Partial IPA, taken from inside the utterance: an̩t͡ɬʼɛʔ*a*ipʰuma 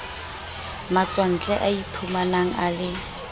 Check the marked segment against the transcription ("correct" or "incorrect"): correct